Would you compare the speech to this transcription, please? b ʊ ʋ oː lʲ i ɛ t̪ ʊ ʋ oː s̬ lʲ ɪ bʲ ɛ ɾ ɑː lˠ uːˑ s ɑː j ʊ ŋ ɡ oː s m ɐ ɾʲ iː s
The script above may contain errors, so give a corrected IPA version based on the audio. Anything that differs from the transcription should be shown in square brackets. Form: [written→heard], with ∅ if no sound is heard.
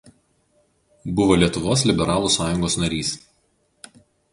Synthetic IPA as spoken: b ʊ ʋ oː lʲ i ɛ t̪ ʊ ʋ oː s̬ lʲ ɪ bʲ ɛ ɾ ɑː lˠ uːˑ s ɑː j ʊ ŋ ɡ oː s [m→n] ɐ ɾʲ iː s